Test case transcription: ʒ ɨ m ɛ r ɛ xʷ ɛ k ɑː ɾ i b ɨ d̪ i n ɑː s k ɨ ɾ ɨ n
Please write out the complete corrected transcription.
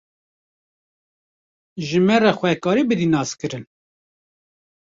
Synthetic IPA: ʒ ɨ m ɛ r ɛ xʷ ɛ k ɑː ɾ i b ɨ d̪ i n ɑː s k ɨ ɾ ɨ n